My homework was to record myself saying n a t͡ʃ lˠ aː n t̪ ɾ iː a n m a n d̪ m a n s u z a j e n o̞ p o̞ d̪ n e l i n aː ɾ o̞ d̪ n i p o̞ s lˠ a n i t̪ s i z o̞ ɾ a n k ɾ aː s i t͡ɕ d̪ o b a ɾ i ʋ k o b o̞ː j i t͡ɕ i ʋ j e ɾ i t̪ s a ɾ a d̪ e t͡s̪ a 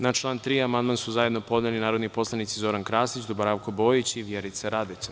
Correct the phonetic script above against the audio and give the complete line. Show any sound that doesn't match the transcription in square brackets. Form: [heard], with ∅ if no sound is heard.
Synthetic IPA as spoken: n a t͡ʃ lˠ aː n t̪ ɾ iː a [∅] m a n d̪ m a n s u z a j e n o̞ p o̞ d̪ n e l i n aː ɾ o̞ d̪ n i p o̞ s lˠ a n i t̪ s i z o̞ ɾ a n k ɾ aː s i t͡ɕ d̪ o b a ɾ [a] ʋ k o b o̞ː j i t͡ɕ i ʋ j e ɾ i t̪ s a ɾ a d̪ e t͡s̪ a